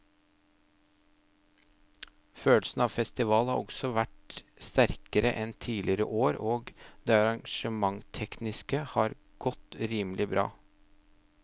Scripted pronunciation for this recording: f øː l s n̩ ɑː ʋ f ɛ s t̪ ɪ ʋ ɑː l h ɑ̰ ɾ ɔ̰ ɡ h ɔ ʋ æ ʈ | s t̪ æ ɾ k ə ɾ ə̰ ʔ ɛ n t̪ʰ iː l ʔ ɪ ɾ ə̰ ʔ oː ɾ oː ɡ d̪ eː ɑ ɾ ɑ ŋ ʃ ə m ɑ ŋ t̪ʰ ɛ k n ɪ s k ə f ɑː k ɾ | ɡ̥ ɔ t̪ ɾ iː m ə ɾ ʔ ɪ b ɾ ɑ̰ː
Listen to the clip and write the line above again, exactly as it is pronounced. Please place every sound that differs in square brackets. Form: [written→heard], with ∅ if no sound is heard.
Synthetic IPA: f øː l s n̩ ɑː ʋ f ɛ s t̪ ɪ ʋ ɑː l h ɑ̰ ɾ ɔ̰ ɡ [h→s] ɔ ʋ æ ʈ | s t̪ æ ɾ k ə ɾ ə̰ ʔ ɛ n t̪ʰ iː l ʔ ɪ ɾ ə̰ ʔ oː ɾ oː ɡ d̪ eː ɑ ɾ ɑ ŋ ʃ ə m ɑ ŋ t̪ʰ ɛ k n ɪ s k ə [f→h] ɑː [k→∅] ɾ | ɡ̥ ɔ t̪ ɾ iː m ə [ɾ→l] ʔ ɪ b ɾ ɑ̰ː